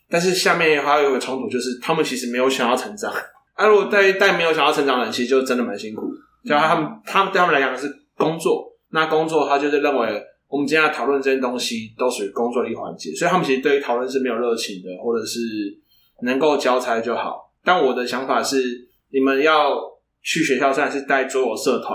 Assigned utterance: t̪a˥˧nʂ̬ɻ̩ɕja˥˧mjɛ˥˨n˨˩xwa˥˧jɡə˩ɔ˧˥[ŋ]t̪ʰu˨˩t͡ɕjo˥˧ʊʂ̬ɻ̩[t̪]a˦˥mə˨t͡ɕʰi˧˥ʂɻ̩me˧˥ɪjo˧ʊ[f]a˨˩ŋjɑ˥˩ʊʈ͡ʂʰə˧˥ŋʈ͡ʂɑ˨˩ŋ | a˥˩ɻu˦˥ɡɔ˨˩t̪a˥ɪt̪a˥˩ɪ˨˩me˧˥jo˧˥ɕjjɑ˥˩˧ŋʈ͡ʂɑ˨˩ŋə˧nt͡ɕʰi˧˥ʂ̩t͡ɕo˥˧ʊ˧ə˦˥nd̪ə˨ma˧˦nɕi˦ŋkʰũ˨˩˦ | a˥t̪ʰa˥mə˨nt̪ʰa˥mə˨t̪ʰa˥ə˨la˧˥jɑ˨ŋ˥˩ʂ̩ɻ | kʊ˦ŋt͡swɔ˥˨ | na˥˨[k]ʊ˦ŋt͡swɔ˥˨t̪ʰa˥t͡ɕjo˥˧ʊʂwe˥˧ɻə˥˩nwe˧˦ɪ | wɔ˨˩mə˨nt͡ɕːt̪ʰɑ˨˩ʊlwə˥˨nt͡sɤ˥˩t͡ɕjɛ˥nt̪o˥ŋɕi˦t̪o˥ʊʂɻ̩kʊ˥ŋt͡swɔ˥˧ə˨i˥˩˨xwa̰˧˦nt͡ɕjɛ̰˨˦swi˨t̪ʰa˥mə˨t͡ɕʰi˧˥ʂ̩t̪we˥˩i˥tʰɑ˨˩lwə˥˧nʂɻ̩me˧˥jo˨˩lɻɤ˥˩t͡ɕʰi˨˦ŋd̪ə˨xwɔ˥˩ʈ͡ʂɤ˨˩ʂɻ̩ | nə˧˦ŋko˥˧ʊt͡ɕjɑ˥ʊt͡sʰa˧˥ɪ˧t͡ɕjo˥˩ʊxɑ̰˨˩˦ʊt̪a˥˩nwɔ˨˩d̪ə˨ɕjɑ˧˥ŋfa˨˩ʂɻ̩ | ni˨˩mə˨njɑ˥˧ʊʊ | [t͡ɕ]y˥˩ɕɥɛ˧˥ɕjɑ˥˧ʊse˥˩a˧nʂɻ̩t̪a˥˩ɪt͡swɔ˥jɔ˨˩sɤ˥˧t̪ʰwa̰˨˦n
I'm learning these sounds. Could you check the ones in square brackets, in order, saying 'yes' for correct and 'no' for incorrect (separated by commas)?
yes, no, no, yes, no